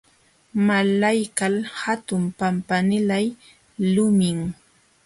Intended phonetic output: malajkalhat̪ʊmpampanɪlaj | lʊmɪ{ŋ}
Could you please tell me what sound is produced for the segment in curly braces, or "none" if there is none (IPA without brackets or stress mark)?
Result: ŋ